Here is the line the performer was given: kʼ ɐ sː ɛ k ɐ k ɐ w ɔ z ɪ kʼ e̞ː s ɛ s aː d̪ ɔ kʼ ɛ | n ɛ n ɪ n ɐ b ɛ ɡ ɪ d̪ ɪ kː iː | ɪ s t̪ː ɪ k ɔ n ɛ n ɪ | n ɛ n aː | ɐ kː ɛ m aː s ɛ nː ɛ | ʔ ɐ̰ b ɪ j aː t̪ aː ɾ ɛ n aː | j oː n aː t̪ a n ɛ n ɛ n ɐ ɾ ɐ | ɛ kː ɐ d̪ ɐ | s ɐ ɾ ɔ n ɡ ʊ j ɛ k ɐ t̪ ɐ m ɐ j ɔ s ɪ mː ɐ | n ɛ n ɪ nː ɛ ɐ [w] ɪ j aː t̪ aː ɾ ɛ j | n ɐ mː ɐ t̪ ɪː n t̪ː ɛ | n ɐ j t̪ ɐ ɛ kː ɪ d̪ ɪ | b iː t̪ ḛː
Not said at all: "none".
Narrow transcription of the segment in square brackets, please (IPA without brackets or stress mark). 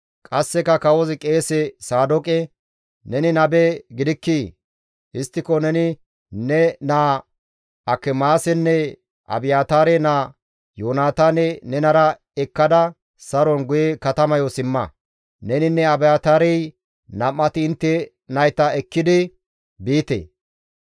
b